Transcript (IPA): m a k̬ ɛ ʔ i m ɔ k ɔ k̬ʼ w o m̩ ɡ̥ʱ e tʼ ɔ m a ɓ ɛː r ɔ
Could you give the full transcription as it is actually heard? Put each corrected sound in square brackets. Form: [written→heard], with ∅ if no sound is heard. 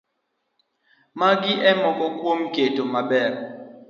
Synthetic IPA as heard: m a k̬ [ɛ→i] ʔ [i→ɛ] m ɔ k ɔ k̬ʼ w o m̩ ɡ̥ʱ e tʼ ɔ m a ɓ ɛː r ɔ